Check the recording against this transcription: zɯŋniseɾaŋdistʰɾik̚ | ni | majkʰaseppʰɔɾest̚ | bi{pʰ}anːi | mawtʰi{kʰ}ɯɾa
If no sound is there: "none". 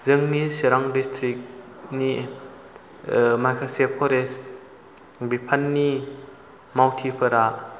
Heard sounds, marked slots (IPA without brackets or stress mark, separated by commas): pʰ, pʰ